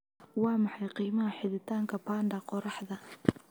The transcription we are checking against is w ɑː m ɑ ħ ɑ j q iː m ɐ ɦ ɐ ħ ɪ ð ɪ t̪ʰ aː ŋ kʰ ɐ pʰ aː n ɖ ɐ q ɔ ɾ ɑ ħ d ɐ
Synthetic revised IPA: w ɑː m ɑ ħ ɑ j q iː m ɐ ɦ ɐ ħ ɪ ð ɪ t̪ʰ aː ŋ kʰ ɐ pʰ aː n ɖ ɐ q ɔ ɾ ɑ ħ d ɐ

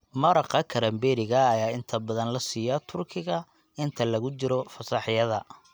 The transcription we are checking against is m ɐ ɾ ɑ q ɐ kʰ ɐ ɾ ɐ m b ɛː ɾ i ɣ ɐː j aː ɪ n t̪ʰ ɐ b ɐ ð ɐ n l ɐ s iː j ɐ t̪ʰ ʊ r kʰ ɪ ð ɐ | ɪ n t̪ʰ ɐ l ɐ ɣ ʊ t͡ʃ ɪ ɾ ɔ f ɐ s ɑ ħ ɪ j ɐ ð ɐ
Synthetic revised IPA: m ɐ ɾ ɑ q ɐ kʰ ɐ ɾ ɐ m b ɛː ɾ ɪ ɣ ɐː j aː ɪ n t̪ʰ ɐ b ɐ ð ɐ n l ɐ s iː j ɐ t̪ʰ ʊ r kʰ ɪ ɣ ɐ | ɪ n t̪ʰ ɐ l ɐ ɣ ʊ t͡ʃ ɪ ɾ ɔ f ɐ s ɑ ħ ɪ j ɐ ð ɐ

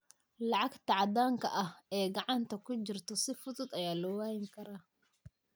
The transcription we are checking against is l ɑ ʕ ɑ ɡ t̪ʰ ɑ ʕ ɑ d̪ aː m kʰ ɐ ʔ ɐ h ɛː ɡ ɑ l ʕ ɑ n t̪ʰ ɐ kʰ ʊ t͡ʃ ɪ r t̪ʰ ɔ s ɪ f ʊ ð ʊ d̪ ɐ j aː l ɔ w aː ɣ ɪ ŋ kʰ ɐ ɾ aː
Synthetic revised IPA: l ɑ ʕ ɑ ɡ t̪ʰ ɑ ʕ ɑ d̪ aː ŋ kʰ ɐ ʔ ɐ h ɛː ɡ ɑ ʕ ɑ n t̪ʰ ɐ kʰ ʊ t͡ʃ ɪ r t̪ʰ ɔ s ɪ f ʊ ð ʊ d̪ ɐ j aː l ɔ w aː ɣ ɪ ŋ kʰ ɐ ɾ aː

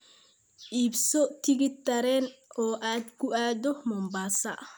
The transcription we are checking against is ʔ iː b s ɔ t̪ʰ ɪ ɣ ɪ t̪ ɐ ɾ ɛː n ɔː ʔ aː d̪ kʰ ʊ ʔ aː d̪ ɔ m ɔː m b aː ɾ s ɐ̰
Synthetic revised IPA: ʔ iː b s ɔ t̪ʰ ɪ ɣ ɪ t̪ ɐ ɾ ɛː n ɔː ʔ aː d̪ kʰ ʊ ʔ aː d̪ ɔ m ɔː m b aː s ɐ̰

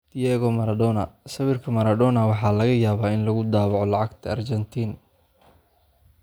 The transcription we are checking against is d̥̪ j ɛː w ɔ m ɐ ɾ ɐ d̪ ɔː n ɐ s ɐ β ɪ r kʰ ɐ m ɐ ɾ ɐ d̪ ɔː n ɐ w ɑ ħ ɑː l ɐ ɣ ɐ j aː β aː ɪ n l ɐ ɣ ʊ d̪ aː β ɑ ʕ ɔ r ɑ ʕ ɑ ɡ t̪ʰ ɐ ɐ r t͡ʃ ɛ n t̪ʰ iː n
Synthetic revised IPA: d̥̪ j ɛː ɣ ɔ m ɐ ɾ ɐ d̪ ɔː n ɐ s ɐ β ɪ r kʰ ɐ m ɐ ɾ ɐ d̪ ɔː n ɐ w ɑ ħ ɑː l ɐ ɣ ɐ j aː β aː ɪ n l ɐ ɣ ʊ d̪ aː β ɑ ʕ ɔ l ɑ ʕ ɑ ɡ t̪ʰ ɐ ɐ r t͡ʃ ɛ n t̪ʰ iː n

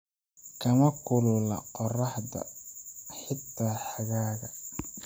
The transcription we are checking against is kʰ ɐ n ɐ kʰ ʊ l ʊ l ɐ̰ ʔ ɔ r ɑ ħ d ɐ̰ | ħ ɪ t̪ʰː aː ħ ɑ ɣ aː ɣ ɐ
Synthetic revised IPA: kʰ ɐ m ɐ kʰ ʊ l ʊ l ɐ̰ q ɔ r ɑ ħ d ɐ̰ | ħ ɪ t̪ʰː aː ħ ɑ ɣ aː ɣ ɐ

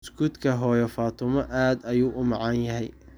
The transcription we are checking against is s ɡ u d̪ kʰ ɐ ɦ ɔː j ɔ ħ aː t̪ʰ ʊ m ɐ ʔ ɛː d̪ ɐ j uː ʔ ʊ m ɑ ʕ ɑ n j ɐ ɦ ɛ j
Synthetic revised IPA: s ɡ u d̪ kʰ ɐ ɦ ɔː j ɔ f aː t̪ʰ ʊ m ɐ ʔ aː d̪ ɐ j uː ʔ ʊ m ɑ ʕ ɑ n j ɐ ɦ ɛ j

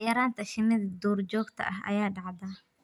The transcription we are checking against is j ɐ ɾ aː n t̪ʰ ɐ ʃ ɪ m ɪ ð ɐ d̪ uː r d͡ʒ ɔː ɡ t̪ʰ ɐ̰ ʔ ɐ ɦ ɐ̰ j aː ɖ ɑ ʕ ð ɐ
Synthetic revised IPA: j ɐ ɾ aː n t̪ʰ ɐ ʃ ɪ m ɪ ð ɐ d̪ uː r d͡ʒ ɔː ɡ t̪ʰ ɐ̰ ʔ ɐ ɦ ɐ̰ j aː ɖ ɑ ʕ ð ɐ

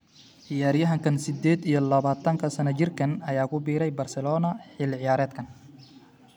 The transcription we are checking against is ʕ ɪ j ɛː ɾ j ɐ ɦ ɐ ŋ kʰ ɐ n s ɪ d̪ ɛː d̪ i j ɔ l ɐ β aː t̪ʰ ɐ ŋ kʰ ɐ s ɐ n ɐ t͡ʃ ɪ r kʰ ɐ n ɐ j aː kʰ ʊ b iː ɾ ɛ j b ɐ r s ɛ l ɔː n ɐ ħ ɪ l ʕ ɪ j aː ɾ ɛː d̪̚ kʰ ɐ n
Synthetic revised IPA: ʕ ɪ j aː ɾ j ɐ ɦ ɐ ŋ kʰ ɐ n s ɪ d̪ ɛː d̪ i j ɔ l ɐ β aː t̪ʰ ɐ ŋ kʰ ɐ s ɐ n ɐ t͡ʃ ɪ r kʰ ɐ n ɐ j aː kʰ ʊ b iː ɾ ɛ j b ɐ r s ɛ l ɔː n ɐ ħ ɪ l ʕ ɪ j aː ɾ ɛː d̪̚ kʰ ɐ n

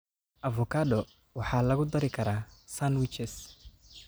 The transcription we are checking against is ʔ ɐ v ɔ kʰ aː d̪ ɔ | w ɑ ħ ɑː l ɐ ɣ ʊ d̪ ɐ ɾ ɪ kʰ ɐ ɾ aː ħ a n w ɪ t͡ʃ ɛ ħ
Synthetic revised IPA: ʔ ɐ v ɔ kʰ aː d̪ ɔ | w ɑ ħ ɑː l ɐ ɣ ʊ d̪ ɐ ɾ ɪ kʰ ɐ ɾ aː s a n w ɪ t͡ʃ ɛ s

